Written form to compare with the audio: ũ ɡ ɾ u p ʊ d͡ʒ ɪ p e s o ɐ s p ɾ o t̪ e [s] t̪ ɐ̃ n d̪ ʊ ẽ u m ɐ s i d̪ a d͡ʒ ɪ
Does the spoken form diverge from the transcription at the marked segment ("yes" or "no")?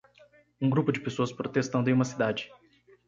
no